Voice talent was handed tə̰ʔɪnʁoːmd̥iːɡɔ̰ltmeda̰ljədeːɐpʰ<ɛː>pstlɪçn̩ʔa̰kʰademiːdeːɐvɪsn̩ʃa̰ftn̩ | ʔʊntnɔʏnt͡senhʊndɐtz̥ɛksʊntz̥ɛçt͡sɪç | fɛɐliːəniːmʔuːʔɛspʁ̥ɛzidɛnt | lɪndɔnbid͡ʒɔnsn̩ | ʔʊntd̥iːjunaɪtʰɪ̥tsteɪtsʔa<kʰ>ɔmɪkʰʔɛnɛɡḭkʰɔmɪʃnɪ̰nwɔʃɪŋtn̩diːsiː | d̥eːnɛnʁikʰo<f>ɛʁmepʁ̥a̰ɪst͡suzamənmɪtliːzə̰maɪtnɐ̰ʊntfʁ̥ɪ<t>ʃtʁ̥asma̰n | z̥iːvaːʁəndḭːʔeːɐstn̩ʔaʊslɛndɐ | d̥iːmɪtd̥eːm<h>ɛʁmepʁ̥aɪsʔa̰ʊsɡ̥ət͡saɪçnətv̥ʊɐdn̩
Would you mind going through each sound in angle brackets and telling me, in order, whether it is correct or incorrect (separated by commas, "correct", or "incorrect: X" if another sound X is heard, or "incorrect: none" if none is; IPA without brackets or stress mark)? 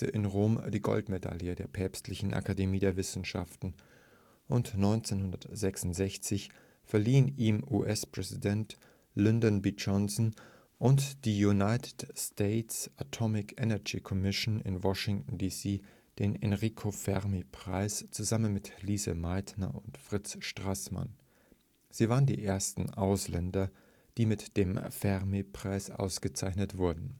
correct, incorrect: tʰ, correct, incorrect: t͡s, incorrect: f